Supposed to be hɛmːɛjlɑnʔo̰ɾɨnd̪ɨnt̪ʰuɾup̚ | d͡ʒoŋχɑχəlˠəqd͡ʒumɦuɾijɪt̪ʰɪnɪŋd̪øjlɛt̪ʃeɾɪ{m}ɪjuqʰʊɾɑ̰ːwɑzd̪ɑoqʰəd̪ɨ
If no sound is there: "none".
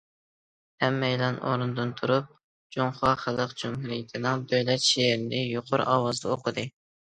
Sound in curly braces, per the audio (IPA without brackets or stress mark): n